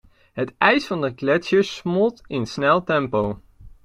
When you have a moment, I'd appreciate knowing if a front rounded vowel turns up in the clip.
no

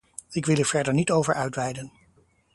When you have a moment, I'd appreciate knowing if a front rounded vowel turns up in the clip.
yes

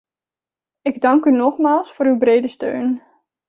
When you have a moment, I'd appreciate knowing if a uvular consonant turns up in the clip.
yes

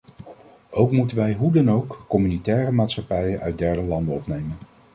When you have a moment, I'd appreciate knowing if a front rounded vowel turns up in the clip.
yes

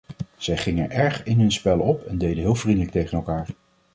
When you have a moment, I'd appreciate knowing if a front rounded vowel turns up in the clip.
no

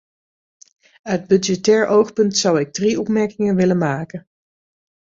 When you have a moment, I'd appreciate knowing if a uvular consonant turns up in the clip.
yes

